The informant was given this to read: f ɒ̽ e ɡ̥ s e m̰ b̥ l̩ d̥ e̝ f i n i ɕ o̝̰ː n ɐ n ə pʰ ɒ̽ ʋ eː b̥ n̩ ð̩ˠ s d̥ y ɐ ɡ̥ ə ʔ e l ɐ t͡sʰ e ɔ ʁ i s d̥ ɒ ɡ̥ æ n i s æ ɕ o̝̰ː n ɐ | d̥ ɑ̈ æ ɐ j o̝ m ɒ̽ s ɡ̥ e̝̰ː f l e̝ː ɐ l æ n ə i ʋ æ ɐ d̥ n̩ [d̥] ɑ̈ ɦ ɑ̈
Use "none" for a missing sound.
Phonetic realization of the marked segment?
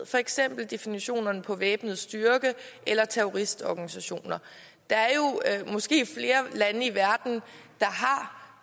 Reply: d̥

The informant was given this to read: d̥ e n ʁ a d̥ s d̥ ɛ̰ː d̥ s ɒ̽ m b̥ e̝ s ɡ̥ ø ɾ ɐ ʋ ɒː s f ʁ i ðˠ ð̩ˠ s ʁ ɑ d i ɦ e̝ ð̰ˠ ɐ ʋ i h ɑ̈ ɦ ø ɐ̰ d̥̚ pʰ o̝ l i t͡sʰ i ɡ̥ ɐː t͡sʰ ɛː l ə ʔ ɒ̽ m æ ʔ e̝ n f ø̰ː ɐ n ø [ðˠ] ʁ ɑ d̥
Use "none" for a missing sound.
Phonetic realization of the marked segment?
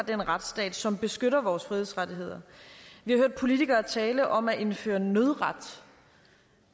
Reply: ðˠ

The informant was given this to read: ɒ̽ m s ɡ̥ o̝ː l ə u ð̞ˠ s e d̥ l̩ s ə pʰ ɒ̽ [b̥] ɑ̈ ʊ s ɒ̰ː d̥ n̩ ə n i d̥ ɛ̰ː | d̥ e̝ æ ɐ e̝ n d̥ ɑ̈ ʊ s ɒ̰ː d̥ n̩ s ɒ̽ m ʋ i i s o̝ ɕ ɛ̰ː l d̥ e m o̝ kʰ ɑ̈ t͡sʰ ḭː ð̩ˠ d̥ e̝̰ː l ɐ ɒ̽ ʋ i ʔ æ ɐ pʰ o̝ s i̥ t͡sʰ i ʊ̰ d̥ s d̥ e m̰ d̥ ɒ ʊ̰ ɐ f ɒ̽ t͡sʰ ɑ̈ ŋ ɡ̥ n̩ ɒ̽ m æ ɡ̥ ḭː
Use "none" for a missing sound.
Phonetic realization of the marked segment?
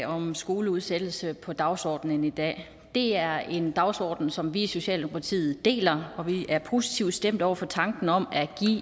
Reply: d̥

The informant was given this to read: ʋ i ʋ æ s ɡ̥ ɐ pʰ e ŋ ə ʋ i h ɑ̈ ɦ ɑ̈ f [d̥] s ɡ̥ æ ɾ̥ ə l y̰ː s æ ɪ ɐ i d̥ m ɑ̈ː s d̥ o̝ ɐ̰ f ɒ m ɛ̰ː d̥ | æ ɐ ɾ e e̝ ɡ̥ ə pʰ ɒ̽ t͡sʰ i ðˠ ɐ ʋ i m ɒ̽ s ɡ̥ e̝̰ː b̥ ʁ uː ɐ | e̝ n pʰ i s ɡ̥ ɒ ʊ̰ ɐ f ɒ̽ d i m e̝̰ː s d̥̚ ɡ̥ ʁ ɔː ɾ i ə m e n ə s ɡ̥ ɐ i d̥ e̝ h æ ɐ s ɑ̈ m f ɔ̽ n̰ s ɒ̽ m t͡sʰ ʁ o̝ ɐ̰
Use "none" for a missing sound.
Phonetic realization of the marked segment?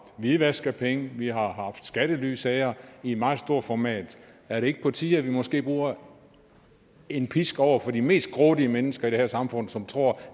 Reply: d̥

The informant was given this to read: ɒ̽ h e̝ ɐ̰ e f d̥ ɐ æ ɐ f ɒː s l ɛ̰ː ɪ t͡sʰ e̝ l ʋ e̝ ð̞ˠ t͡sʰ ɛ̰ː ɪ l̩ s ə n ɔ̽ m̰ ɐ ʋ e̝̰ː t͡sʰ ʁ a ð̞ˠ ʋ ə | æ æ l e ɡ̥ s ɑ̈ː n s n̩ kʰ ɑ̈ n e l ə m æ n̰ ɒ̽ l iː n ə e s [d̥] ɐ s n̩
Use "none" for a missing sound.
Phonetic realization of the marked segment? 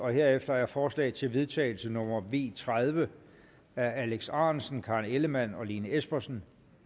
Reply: b̥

